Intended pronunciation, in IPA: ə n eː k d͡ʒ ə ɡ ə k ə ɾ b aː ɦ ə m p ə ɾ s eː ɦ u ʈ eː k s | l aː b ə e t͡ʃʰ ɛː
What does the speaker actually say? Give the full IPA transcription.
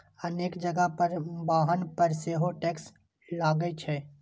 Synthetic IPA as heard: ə n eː k d͡ʒ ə ɡ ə p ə ɾ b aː ɦ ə n p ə ɾ s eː ɦ o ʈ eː k s | l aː ɡ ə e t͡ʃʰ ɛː